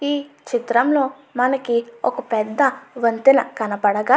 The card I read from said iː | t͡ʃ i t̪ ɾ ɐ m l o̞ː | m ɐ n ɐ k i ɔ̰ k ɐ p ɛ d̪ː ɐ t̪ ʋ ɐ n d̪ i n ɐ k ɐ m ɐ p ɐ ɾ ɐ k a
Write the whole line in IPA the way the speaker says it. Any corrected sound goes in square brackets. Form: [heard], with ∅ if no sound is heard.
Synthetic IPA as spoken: iː | t͡ʃ i t̪ ɾ ɐ m l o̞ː | m ɐ n ɐ k i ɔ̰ k ɐ p ɛ d̪ː ɐ [∅] ʋ ɐ n [t̪] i n ɐ k ɐ [n] ɐ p ɐ [ɽ] ɐ [ɡ] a